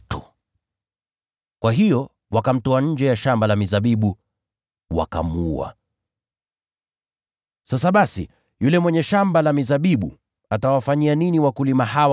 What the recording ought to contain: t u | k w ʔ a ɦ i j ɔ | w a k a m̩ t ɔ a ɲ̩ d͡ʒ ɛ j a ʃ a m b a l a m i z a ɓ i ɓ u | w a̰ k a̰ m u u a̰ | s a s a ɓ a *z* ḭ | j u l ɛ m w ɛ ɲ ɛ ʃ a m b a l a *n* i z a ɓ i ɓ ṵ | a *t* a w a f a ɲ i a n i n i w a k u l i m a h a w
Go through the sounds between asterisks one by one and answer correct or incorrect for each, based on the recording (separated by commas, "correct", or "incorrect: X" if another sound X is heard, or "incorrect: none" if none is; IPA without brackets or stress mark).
incorrect: s, incorrect: m, correct